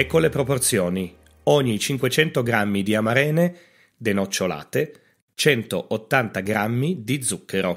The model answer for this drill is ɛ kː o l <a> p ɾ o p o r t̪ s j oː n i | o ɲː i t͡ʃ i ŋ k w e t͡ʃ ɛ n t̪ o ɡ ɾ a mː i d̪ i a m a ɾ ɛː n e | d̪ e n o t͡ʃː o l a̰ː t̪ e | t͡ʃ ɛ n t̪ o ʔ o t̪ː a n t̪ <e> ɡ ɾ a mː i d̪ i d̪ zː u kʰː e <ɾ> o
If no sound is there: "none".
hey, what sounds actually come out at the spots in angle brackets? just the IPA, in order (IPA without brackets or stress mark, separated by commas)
e, a, ɾ